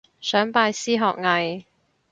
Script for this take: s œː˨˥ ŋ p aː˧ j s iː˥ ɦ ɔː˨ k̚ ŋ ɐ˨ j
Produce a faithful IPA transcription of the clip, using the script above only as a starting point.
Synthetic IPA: s œː˨˥ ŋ p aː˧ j s iː˥ ɦ ɔː˨ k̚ ŋ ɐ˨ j